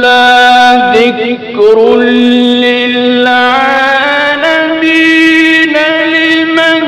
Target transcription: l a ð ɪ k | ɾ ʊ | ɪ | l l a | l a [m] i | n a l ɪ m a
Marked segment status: correct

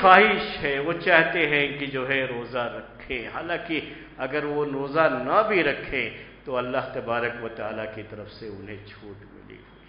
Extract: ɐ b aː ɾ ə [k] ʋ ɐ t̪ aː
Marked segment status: correct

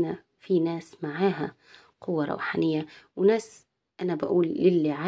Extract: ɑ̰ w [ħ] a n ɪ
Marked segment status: correct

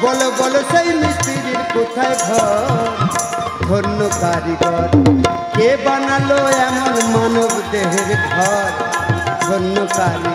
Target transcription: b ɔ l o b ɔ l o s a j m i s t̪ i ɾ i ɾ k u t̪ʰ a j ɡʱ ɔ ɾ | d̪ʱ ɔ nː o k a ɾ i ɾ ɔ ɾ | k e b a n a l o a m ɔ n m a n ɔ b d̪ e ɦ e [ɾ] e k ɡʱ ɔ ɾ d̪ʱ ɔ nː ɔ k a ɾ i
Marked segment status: correct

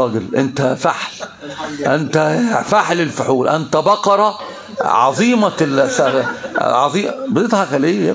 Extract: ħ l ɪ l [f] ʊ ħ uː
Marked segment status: correct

